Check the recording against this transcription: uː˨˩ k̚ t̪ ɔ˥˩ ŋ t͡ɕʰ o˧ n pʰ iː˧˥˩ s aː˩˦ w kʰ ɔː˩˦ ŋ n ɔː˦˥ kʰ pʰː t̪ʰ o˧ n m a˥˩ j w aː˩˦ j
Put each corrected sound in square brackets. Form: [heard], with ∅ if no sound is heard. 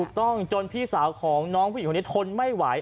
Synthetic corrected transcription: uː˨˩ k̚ t̪ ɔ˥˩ ŋ [t͡ɕ] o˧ n pʰ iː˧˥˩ s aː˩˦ w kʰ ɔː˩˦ ŋ n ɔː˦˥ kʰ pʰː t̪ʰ o˧ n m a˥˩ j w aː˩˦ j